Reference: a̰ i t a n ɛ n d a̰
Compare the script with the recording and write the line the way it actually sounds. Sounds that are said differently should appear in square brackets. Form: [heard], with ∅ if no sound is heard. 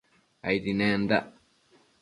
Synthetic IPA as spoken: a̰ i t [i] n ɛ n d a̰